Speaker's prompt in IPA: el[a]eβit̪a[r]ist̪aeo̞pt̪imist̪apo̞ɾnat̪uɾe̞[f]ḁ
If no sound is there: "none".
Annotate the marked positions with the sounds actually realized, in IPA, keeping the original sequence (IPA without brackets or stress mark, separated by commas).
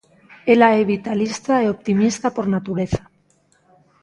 a, l, θ